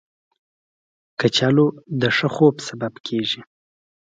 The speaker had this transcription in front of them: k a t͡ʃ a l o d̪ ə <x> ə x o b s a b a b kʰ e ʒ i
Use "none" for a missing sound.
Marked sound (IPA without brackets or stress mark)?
ʂ